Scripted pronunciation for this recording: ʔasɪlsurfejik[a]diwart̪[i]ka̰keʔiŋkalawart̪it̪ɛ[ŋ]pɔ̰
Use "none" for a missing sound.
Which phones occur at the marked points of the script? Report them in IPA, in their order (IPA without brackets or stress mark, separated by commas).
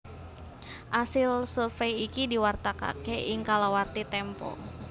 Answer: i, a, m